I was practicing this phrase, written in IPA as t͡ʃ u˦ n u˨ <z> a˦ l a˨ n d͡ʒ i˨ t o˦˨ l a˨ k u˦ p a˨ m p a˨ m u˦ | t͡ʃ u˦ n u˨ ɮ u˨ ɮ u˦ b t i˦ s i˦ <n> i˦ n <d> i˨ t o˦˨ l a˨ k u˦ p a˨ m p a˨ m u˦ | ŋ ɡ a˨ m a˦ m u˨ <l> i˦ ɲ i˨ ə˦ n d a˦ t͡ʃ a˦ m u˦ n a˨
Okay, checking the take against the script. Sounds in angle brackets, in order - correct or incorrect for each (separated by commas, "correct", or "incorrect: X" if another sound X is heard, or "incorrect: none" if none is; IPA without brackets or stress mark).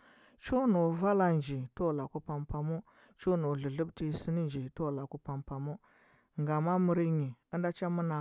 incorrect: v, correct, incorrect: d͡ʒ, incorrect: ɾ